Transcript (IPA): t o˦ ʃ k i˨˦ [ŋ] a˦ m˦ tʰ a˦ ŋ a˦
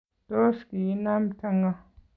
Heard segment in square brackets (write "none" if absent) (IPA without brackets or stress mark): n